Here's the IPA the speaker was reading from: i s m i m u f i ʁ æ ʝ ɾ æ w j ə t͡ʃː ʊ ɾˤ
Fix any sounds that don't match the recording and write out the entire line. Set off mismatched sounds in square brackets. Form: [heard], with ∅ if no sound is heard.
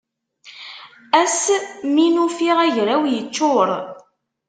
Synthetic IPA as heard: [æ] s m i [n] u f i ʁ æ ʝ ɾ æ w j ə t͡ʃː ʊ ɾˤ